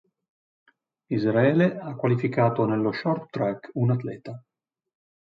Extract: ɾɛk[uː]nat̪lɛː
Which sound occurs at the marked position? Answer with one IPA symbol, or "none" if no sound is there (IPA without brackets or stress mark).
u